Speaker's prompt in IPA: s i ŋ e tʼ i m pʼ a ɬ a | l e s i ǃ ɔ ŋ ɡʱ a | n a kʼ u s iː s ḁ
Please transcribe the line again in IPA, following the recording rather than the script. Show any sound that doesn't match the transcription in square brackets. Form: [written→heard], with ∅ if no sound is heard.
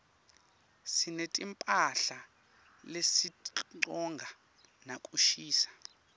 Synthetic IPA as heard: s i [ŋ→n] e tʼ i m pʼ a ɬ a | l e s i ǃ ɔ ŋ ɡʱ a | n a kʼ u [s→ʃ] iː s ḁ